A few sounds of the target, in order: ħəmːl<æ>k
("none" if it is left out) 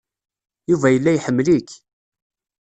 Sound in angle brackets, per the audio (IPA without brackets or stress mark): i